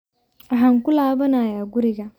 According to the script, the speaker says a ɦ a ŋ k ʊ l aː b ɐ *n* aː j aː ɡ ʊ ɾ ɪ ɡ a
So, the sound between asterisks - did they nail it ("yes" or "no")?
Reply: yes